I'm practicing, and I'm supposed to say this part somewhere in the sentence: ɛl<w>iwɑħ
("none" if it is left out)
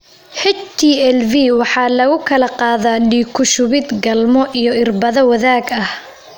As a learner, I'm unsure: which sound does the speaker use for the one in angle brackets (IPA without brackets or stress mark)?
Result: v